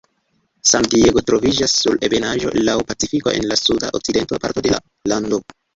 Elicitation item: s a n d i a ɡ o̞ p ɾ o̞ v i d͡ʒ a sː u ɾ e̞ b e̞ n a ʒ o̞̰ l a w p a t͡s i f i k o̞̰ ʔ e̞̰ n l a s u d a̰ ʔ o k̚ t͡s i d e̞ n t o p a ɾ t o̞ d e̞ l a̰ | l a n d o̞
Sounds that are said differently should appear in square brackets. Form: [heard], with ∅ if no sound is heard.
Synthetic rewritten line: s a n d i [e] ɡ o̞ [t] ɾ o̞ v i d͡ʒ a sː u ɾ e̞ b e̞ n a ʒ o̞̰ l a w p a t͡s i f i k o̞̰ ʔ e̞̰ n l a s u d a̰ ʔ o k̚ t͡s i d e̞ n t o p a ɾ t o̞ d e̞ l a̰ | l a n d o̞

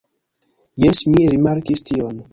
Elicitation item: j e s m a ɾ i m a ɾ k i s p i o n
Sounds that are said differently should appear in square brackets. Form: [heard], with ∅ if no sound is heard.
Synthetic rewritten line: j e s m [i] ɾ i m a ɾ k i s [t] i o n

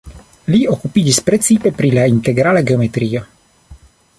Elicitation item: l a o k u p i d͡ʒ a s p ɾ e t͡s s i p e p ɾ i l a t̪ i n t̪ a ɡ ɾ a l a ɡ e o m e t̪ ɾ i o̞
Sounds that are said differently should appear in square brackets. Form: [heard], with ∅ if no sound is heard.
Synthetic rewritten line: l [i] o k u p i d͡ʒ [i] s p ɾ e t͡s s i p e p ɾ i l a [∅] i n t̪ [e] ɡ ɾ a l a ɡ e o m e t̪ ɾ i o̞

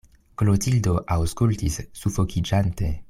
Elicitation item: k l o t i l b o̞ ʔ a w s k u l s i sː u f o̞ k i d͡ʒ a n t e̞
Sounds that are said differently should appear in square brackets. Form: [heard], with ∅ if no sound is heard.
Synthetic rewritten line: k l o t i l [d] o̞ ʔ a w s k u l [t] i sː u f o̞ k i d͡ʒ a n t e̞

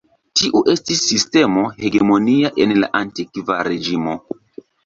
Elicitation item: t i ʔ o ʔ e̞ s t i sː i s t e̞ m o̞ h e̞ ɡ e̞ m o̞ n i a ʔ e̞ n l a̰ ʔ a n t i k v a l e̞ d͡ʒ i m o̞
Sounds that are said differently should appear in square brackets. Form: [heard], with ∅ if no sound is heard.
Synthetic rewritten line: t i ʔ [u] ʔ e̞ s t i sː i s t e̞ m o̞ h e̞ ɡ e̞ m o̞ n i a ʔ e̞ n l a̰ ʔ a n t i k v a [ɾ] e̞ d͡ʒ i m o̞

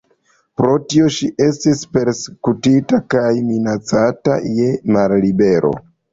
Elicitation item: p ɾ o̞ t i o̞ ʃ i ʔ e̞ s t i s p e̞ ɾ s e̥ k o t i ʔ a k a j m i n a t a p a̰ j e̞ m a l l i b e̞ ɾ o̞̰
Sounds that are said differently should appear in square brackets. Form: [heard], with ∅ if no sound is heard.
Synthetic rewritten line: p ɾ o̞ t i o̞ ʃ i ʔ e̞ s t i s p e̞ ɾ s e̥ k [u] t i [t] a k a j m i n a [t͡s] a [t] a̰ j e̞ m a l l i b e̞ ɾ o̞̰

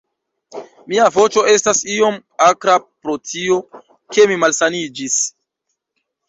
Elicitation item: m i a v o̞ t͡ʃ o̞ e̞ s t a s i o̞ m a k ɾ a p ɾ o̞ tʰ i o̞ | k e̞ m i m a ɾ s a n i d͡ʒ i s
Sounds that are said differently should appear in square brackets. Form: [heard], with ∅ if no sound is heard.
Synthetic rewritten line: m i a v o̞ t͡ʃ o̞ e̞ s t a s i o̞ m a k ɾ a p ɾ o̞ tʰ i o̞ | k e̞ m i m a [l] s a n i d͡ʒ i s

